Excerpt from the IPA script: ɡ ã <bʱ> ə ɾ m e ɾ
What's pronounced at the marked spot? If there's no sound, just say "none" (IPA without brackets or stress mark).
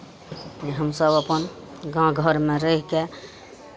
ɡʱ